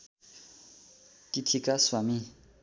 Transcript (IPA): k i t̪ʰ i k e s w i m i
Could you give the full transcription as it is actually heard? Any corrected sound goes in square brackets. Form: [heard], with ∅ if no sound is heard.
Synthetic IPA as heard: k i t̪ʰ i k [a] s w [a] m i